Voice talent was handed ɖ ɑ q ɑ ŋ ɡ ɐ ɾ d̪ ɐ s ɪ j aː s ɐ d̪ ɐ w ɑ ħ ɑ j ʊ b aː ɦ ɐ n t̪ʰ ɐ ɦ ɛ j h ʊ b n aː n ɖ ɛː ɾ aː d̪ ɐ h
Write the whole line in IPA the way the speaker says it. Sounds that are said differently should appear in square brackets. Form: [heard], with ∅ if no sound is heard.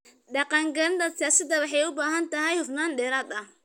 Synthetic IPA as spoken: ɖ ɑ q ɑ ŋ ɡ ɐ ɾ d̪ ɐ s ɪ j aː s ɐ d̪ ɐ w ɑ ħ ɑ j ʊ b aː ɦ ɐ n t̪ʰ ɐ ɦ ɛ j h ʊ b n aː n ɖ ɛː ɾ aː d̪ ɐ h